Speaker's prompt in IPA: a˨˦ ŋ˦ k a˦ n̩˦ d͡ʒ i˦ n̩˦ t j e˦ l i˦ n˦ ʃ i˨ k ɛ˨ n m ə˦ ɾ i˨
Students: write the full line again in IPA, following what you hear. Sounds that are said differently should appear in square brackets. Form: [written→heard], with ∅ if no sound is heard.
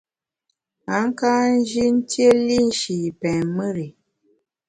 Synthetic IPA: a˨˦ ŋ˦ k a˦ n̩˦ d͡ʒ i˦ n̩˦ t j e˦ l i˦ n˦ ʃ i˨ [k→p] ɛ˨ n m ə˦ ɾ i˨

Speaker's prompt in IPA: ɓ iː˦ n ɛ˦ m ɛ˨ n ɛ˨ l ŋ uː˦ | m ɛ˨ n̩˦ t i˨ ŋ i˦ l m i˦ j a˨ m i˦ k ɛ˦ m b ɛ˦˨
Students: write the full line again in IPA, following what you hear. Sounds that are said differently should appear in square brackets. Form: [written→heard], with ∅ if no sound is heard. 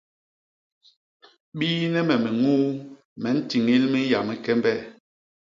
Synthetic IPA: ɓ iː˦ n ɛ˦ m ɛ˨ [n→m] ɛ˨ [l→∅] ŋ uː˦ | m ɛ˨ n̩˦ t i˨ ŋ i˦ l m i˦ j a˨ m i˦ k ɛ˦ m b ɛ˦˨

